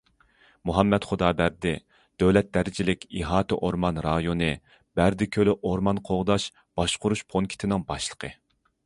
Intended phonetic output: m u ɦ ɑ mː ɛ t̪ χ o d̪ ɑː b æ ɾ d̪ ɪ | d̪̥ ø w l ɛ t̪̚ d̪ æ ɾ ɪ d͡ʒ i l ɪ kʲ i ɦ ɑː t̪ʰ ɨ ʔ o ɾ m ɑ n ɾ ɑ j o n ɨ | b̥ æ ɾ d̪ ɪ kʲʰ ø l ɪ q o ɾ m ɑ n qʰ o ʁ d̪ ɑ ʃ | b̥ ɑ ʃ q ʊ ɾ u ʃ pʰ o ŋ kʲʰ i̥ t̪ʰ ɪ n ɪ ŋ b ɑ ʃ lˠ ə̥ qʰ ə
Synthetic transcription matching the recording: m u ɦ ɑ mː ɛ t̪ χ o d̪ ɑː b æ ɾ d̪ ɪ | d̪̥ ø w l ɛ t̪̚ d̪ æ ɾ ɪ d͡ʒ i l ɪ kʲ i ɦ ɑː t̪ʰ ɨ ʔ o ɾ m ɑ n ɾ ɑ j o n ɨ | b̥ æ ɾ d̪ ɪ kʲʰ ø l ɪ ʔ o ɾ m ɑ n qʰ o ʁ d̪ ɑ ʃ | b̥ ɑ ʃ q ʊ ɾ u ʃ pʰ o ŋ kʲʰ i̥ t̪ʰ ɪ n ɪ ŋ b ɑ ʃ lˠ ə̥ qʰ ə